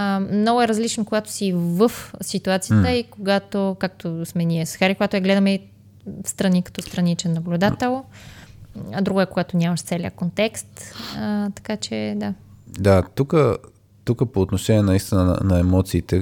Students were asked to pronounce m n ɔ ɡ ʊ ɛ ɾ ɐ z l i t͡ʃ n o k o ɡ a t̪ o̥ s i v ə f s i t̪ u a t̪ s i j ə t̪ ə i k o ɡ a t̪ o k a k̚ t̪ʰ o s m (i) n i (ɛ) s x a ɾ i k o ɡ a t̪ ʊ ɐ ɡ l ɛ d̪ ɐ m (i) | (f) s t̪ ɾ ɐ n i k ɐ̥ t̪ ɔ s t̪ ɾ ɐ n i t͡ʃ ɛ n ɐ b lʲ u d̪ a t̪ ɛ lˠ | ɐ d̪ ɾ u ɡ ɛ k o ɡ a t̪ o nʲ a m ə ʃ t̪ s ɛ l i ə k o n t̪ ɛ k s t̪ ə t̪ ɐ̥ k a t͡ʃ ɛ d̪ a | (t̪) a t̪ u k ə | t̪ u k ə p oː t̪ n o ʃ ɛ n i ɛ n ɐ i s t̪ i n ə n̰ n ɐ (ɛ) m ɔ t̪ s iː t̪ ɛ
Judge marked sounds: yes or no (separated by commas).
no, yes, no, yes, no, yes